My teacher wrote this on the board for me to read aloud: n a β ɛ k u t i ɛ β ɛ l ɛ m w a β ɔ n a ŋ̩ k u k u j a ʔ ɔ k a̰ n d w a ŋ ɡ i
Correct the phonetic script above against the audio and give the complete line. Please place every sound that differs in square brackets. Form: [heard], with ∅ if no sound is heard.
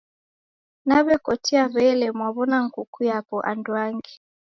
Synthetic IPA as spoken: n a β ɛ k [ɔ] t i [a] β ɛ l ɛ m w a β ɔ n a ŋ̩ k u k u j a [p] ɔ [ʔ] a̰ n d w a ŋ ɡ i